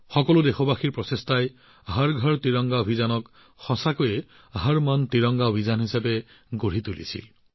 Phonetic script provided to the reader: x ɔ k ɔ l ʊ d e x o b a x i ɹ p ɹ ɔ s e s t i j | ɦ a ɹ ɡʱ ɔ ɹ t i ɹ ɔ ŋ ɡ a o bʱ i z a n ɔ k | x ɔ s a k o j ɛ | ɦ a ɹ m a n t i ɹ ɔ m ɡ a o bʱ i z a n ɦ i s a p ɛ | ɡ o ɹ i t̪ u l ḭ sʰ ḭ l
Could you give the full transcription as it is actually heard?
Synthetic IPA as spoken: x ɔ k ɔ l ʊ d e x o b a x i ɹ p ɹ ɔ s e s t a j | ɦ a ɹ ɡʱ ɔ ɹ t i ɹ ɔ ŋ ɡ a o bʱ i z a n ɔ k | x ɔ s a k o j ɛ | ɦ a ɹ m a n t i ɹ ɔ ŋ ɡ a o bʱ i z a n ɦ i s a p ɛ | ɡ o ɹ i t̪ u l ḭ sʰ ḭ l

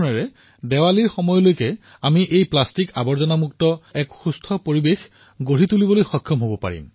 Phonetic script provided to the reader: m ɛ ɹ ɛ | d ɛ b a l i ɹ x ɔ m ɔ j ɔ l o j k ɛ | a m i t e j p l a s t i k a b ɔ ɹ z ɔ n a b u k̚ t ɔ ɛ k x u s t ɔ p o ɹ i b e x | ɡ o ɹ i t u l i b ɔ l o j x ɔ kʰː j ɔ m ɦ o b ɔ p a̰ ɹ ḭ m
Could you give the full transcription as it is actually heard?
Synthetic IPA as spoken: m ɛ ɹ ɛ | d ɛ w a l i ɹ x ɔ m ɔ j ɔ l o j k ɛ | a m i ʔ e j p l a s t i k a b ɔ ɹ z ɔ n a m u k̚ t ɔ ɛ k x u s tʰ ɔ p o ɹ i b e x | ɡ o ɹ i t u l i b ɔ l o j x ɔ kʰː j ɔ m ɦ o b ɔ p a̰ ɹ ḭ m

